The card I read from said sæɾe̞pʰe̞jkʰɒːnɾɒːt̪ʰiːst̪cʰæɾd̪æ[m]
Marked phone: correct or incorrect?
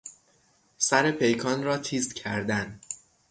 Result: incorrect